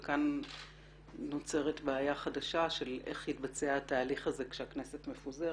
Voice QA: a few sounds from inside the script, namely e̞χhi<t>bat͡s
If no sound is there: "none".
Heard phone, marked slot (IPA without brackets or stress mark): t